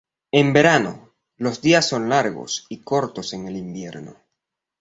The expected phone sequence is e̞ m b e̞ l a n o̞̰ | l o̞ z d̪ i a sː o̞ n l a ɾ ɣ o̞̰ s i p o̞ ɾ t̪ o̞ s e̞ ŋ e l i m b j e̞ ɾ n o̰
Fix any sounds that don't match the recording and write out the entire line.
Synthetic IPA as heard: e̞ m b e̞ ɾ a n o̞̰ | l o̞ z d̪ i a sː o̞ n l a ɾ ɣ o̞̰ s i k o̞ ɾ t̪ o̞ s e̞ ŋ e l i m b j e̞ ɾ n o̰